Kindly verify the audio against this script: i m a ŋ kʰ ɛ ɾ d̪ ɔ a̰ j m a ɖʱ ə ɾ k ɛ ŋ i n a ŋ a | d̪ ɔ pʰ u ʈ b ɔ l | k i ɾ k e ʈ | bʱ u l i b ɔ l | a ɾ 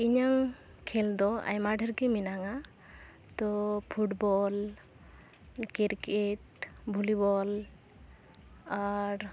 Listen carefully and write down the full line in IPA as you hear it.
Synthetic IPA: i ɲ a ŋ kʰ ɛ l d̪ ɔ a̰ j m a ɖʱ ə ɾ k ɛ m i n a ŋ a | t̪ ɔ pʰ u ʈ b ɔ l | k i ɾ k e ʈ | bʱ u l i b ɔ l | a ɾ